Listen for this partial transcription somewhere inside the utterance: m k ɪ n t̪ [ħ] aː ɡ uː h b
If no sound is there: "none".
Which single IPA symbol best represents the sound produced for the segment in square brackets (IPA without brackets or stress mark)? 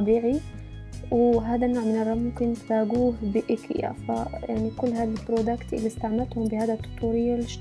f